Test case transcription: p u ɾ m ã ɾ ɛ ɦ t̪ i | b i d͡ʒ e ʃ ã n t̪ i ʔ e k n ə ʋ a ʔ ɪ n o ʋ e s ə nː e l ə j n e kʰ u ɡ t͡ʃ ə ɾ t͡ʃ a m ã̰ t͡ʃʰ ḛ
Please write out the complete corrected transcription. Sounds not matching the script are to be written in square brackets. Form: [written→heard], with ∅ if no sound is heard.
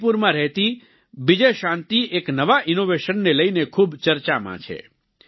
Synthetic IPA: p u ɾ m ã ɾ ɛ ɦ t̪ i | b i d͡ʒ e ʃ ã n t̪ i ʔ e k n ə ʋ a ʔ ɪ n o ʋ e [s→ʃ] ə nː e l ə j n e kʰ u [ɡ→b] t͡ʃ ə ɾ t͡ʃ a m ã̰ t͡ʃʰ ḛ

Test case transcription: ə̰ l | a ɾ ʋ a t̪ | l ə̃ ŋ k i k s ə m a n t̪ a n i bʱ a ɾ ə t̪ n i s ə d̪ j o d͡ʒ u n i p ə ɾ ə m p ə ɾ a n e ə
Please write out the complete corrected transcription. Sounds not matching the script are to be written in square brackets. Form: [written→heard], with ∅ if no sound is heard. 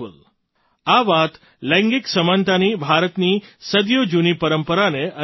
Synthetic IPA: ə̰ l | a [ɾ→∅] ʋ a t̪ | l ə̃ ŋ [k→ɡ] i k s ə m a n t̪ a n i bʱ a ɾ ə t̪ n i s ə d̪ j o d͡ʒ u n i p ə ɾ ə m p ə ɾ a n e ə

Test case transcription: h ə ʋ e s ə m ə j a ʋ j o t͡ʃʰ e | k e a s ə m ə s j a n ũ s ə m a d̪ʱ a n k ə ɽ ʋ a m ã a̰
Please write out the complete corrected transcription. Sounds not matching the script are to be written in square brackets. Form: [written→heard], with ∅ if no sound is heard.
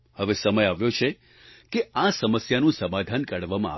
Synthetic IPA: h ə ʋ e s ə m ə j a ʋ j o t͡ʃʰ e | k e a s ə m ə s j a n ũ s ə m a d̪ʱ a n k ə ɽ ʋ a m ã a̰

